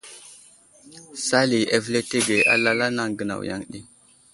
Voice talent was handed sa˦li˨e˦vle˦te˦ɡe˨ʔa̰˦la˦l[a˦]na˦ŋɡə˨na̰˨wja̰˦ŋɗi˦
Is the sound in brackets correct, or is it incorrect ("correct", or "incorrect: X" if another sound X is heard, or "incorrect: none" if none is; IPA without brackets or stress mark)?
correct